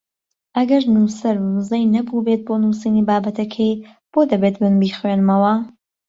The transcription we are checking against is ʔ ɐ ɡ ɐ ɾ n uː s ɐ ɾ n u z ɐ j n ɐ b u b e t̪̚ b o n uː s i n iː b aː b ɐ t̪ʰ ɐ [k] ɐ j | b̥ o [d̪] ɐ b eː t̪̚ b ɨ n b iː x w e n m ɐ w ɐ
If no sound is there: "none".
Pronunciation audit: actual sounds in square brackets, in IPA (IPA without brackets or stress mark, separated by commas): kʰ, d̪